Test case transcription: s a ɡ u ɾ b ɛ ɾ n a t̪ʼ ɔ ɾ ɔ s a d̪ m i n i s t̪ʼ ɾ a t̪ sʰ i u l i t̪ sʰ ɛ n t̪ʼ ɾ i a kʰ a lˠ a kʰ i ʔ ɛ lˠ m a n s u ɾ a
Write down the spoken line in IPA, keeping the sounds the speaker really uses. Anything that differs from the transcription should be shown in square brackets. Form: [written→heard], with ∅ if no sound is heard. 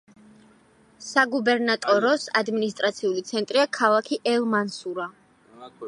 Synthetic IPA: s a ɡ u [ɾ→∅] b ɛ ɾ n a t̪ʼ ɔ ɾ ɔ s a d̪ m i n i s t̪ʼ ɾ a t̪ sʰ i u l i t̪ sʰ ɛ n t̪ʼ ɾ i a kʰ a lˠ a kʰ i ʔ ɛ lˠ m a n s u ɾ a